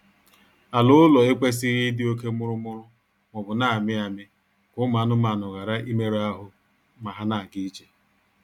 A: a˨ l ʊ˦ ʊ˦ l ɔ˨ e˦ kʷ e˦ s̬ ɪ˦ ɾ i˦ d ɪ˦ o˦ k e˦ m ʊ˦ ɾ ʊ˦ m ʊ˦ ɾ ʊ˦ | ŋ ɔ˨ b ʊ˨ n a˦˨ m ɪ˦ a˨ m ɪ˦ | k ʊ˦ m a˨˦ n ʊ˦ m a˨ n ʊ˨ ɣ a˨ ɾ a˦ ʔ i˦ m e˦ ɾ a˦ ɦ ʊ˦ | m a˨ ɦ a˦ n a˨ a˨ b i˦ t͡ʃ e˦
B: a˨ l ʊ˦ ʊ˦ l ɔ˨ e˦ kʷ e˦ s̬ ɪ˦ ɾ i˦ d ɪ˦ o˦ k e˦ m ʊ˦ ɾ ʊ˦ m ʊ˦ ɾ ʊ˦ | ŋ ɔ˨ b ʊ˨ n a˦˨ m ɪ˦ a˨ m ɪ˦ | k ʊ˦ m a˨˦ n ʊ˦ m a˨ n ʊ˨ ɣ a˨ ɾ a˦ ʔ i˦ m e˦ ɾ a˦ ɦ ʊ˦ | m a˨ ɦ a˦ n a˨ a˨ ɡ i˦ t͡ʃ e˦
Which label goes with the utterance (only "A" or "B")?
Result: B